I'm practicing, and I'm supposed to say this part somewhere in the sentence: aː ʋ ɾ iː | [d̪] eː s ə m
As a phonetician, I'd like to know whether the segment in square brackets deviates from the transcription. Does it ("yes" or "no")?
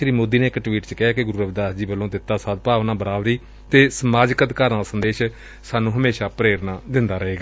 yes